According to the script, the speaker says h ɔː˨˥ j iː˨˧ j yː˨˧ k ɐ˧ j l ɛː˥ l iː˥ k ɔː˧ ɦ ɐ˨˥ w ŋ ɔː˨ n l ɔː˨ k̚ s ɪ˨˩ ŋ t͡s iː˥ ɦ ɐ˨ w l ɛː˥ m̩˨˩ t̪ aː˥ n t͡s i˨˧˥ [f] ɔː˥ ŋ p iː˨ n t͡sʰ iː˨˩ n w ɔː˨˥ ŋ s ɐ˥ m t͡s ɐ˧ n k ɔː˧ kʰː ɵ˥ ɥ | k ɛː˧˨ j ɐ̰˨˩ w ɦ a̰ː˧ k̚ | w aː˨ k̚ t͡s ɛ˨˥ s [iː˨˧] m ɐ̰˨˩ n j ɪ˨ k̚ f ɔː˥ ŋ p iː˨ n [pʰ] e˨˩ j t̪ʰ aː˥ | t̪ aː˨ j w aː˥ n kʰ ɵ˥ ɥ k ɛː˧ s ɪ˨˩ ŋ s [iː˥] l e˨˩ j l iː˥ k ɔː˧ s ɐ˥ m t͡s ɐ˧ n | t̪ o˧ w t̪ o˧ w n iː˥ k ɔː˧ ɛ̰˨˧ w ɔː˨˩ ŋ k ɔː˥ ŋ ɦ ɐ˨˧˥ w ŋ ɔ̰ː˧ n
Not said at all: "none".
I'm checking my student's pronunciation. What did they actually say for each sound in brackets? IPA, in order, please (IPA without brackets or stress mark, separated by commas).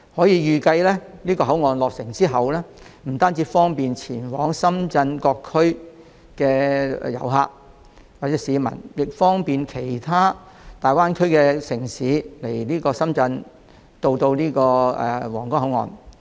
f, iː˨˧, kʰ, iː˨˥